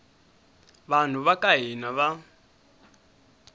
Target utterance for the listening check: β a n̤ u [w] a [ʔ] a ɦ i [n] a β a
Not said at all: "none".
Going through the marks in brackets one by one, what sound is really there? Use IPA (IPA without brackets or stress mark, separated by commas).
β, k, n